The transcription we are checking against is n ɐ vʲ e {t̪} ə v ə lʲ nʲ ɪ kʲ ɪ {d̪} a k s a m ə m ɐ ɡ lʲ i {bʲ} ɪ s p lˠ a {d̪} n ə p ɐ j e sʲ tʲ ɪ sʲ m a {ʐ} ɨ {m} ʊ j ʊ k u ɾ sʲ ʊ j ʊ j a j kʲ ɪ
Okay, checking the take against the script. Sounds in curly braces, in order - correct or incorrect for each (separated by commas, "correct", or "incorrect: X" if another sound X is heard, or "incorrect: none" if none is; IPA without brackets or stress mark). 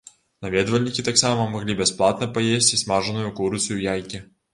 incorrect: d̪, incorrect: t̪, correct, incorrect: t̪, correct, incorrect: n